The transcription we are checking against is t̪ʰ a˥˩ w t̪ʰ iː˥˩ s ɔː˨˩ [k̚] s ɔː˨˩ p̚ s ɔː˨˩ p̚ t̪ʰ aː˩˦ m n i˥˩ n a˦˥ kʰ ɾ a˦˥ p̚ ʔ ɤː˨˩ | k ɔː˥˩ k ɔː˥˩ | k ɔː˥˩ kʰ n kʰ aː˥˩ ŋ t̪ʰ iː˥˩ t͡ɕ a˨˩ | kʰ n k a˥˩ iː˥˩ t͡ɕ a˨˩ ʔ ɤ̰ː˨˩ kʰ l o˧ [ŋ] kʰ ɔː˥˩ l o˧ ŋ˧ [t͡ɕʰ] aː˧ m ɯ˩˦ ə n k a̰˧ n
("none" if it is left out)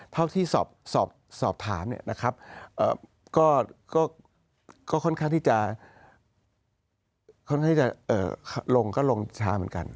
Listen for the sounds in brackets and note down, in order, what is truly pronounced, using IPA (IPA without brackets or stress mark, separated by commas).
p̚, ŋ, t͡ɕʰ